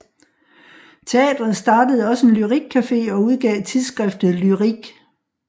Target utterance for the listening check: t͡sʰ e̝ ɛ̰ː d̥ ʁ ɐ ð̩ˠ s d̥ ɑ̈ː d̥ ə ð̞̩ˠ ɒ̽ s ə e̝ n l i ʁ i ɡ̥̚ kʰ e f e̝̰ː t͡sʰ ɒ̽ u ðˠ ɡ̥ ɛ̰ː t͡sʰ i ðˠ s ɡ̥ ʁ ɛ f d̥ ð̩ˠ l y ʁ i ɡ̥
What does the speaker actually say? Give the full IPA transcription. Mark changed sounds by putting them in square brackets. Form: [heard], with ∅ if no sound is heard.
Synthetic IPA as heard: t͡sʰ e̝ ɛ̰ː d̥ ʁ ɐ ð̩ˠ s d̥ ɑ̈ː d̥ ə ð̞̩ˠ ɒ̽ s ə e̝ n l [y] ʁ i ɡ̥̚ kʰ [æ] f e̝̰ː [∅] ɒ̽ u ðˠ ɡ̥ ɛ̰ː t͡sʰ i ðˠ s ɡ̥ ʁ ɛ f d̥ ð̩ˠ l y ʁ i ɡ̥